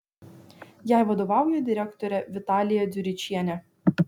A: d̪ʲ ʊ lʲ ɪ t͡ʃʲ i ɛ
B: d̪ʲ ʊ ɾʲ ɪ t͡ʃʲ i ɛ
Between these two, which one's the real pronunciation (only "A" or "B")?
B